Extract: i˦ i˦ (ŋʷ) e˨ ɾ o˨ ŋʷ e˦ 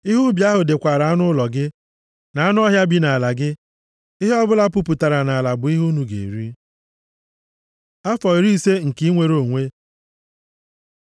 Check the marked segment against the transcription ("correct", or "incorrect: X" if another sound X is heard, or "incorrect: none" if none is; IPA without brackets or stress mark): correct